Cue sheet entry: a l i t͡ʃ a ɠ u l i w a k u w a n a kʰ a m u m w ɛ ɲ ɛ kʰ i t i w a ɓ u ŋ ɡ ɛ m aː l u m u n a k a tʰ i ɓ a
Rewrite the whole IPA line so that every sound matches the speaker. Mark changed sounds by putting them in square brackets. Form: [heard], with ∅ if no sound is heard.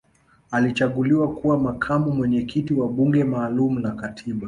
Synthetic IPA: a l i t͡ʃ a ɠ u l i w a k u w a [m] a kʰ a m u m w ɛ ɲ ɛ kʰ i t i w a ɓ u ŋ ɡ ɛ m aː l u m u n a k a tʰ i ɓ a